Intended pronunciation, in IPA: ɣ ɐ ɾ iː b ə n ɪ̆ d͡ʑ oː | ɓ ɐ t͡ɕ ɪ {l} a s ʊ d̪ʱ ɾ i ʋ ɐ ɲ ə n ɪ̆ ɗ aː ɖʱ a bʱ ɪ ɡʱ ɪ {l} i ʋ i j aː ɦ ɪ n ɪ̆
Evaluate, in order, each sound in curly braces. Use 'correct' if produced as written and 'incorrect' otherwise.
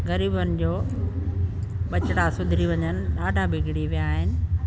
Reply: incorrect: ɽ, incorrect: ɽ

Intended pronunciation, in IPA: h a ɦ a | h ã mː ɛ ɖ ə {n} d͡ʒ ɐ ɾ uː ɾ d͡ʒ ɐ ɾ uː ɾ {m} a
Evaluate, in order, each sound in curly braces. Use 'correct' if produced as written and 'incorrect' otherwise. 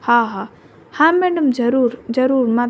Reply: incorrect: m, correct

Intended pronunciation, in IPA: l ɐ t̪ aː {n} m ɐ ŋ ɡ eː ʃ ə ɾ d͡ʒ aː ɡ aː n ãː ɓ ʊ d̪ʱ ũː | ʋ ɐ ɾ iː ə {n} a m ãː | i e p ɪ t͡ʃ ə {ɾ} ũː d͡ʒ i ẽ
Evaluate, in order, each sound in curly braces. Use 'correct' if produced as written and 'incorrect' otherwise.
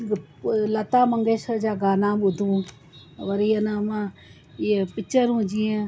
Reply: incorrect: none, correct, correct

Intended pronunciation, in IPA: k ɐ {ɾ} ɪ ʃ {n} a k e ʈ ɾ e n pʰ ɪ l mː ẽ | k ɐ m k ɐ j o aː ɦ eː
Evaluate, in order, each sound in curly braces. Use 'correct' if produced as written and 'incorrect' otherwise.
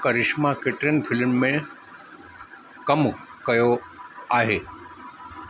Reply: correct, incorrect: m

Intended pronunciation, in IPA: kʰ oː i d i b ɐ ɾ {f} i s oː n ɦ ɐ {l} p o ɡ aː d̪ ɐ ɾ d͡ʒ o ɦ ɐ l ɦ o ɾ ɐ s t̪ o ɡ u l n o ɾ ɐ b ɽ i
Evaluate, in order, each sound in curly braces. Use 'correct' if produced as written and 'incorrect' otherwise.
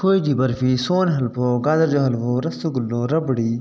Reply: correct, correct

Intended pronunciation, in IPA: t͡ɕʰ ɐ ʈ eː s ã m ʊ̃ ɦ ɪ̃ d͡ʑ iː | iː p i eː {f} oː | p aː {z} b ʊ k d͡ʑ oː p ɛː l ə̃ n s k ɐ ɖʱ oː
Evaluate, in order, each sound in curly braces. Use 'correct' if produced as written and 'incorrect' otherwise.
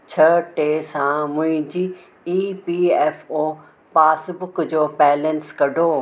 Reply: correct, incorrect: s

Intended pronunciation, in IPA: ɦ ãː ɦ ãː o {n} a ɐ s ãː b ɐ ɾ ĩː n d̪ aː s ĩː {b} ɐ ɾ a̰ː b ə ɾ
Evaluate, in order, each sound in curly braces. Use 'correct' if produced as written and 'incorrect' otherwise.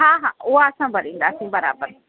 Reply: incorrect: none, correct

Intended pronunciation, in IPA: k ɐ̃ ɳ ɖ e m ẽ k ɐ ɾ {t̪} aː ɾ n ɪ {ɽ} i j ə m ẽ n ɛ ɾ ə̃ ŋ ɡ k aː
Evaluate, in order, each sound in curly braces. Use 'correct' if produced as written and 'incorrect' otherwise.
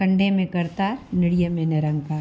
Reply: correct, correct

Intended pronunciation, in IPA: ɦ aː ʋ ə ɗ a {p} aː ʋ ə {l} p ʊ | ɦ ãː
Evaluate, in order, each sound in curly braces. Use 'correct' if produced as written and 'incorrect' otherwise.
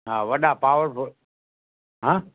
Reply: correct, incorrect: ɾ

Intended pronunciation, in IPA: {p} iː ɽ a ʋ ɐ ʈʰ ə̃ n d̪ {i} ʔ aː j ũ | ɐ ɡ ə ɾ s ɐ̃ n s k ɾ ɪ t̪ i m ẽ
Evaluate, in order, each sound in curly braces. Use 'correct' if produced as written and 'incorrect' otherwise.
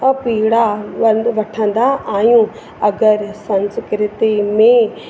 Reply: correct, incorrect: a

